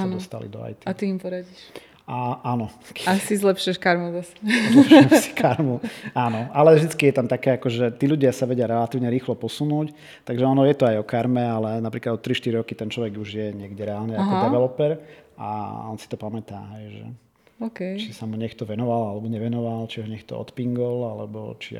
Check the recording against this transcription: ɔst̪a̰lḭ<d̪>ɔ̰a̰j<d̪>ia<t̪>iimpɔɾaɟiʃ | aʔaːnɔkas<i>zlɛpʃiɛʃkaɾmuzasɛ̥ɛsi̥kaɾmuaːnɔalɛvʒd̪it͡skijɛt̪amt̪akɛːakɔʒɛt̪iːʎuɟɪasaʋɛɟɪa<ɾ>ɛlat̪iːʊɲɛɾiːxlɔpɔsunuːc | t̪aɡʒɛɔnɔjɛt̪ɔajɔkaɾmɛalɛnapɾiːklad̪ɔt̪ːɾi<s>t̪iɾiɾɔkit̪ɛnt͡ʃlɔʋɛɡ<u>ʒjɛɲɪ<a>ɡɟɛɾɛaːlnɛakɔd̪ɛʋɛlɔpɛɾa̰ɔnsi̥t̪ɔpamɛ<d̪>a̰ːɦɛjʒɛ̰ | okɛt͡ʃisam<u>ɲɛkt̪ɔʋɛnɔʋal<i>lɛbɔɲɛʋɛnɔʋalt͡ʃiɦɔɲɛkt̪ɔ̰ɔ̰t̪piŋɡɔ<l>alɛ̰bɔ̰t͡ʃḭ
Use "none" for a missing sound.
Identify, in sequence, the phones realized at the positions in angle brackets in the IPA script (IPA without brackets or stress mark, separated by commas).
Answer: d̪, t̪, t̪, i, ɾ, ʃ, u, ɛ, t̪, u, a, l